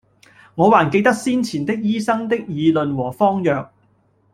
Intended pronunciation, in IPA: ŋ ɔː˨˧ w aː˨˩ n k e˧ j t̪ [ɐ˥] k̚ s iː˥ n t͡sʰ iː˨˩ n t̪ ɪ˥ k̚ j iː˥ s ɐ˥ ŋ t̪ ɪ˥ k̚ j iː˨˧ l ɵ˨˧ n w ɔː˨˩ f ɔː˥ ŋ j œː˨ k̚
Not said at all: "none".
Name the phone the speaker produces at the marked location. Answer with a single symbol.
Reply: ɐ˥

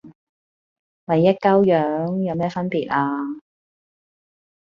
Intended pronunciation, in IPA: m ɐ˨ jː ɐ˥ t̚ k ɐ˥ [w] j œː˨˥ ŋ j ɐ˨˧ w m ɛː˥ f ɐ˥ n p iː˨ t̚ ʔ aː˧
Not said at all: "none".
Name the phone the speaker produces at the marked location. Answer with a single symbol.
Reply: w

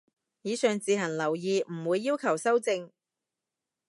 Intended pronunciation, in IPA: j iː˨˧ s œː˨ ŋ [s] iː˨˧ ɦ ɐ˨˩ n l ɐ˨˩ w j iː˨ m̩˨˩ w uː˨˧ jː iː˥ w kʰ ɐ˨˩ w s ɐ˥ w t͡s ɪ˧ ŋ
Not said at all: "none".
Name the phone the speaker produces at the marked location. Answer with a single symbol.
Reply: t͡s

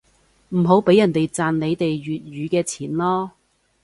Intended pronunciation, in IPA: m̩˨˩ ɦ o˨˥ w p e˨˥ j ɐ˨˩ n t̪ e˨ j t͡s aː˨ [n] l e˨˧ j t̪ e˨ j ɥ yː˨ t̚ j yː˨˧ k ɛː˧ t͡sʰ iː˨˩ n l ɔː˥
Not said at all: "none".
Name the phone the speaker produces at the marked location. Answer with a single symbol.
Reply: n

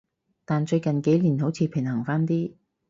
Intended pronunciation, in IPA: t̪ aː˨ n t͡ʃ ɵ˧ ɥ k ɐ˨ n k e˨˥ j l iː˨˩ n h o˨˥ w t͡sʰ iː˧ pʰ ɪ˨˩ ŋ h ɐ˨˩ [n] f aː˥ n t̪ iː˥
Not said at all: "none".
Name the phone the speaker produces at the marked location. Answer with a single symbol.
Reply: ŋ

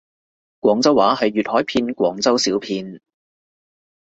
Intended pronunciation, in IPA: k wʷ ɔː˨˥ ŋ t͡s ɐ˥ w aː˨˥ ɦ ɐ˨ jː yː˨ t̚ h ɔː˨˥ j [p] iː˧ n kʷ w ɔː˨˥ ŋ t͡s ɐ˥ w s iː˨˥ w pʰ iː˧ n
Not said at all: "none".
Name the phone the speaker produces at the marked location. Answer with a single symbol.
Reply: pʰ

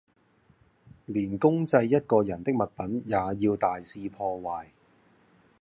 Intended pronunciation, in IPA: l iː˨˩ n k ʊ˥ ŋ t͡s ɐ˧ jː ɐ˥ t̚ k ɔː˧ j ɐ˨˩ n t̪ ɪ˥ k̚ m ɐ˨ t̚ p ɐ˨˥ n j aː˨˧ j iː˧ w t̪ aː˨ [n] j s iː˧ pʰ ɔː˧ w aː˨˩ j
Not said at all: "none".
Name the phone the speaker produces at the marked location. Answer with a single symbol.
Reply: none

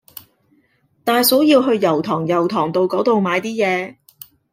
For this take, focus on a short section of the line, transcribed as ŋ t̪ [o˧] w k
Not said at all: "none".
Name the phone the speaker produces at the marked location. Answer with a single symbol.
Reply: o˧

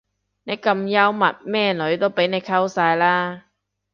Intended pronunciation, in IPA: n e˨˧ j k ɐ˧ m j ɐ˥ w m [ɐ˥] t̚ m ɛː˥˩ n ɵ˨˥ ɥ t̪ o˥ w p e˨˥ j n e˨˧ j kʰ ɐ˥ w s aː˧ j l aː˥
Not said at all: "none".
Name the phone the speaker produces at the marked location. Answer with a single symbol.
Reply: ɐ˨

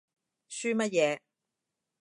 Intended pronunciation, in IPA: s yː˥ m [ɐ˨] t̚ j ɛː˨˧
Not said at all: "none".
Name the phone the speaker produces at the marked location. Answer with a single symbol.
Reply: ɐ˥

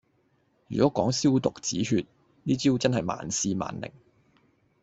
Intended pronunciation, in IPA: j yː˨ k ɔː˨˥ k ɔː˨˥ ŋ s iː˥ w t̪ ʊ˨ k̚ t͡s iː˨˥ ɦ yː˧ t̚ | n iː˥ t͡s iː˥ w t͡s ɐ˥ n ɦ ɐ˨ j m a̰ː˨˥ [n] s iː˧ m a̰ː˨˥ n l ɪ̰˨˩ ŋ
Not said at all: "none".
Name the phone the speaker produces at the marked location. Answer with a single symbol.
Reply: n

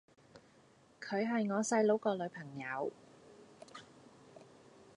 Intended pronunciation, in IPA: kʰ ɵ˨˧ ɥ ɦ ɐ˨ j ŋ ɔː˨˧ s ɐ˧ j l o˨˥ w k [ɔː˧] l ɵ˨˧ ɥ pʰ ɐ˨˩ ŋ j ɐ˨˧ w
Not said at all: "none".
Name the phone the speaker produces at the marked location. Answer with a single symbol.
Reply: ɔː˧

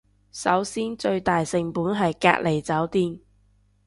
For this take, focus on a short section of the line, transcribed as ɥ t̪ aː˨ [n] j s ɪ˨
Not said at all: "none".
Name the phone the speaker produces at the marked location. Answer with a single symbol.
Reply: none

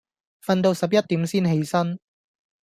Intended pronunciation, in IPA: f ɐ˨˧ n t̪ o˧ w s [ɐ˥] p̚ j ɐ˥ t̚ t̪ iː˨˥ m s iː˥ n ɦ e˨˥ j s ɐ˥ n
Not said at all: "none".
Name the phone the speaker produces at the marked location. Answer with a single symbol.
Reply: ɐ˨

